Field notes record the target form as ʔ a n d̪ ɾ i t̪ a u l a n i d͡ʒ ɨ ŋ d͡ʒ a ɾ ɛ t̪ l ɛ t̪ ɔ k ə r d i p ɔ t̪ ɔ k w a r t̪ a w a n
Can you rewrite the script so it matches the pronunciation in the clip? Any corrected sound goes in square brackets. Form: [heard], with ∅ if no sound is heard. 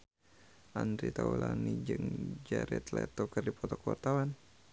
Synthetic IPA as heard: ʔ a n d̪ ɾ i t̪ a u l a n i d͡ʒ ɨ ŋ d͡ʒ a ɾ ɛ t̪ l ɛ t̪ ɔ k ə r d i p ɔ t̪ ɔ k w a r t̪ a w a n